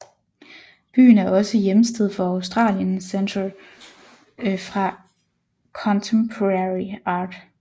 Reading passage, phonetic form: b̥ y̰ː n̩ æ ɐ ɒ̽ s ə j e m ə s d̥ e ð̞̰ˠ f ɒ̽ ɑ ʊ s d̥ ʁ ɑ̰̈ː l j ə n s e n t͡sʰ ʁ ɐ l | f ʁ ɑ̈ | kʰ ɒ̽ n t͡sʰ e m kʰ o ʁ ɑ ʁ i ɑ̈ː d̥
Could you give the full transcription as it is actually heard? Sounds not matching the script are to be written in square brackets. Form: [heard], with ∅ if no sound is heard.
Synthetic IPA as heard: b̥ y̰ː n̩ æ ɐ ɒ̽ s ə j e m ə s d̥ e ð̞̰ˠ f ɒ̽ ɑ ʊ s d̥ ʁ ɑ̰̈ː l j ə n s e n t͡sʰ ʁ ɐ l | f ʁ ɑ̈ | kʰ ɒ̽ n t͡sʰ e m [pʰ] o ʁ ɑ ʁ i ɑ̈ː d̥